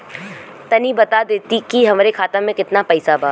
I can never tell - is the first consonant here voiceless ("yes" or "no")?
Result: yes